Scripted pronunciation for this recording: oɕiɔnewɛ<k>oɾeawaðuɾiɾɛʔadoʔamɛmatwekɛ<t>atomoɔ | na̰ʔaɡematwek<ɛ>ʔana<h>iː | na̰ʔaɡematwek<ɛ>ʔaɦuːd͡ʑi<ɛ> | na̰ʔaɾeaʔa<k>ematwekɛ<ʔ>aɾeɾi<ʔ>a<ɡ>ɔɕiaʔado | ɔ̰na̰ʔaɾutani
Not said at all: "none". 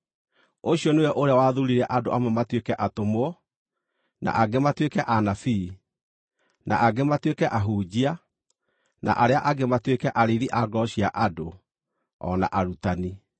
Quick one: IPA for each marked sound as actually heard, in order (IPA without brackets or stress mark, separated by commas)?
ʔ, ʔ, ɛ, f, ɛ, a, ɡ, ʔ, ʔ, ɡ